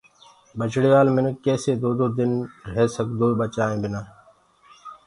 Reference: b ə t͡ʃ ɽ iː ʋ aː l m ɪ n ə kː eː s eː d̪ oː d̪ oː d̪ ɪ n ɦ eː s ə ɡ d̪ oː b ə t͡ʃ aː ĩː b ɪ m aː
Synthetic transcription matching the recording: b ə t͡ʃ ɽ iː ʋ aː l m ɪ n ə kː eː s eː d̪ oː d̪ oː d̪ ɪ n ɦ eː s ə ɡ d̪ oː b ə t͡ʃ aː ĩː b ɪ n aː